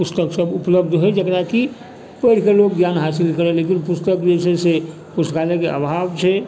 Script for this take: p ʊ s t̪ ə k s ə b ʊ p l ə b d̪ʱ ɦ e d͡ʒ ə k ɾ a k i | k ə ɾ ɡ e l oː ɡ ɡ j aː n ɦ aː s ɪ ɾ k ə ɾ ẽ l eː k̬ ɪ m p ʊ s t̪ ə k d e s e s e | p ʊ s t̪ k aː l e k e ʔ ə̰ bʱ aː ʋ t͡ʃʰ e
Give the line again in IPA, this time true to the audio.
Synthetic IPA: p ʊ s t̪ ə k s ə b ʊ p l ə b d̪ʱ ɦ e d͡ʒ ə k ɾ a k i | p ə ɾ k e l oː ɡ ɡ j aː n ɦ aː s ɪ l k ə ɾ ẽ l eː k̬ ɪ n p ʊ s t̪ ə k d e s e s e | p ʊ s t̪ k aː l e k e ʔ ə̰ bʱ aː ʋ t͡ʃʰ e